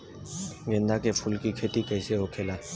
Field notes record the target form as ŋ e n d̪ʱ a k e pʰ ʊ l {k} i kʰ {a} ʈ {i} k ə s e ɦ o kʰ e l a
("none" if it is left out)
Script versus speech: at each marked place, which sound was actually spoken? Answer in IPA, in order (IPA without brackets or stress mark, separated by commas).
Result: k, e, i